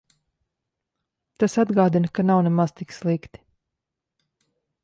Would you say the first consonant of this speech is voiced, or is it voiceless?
voiceless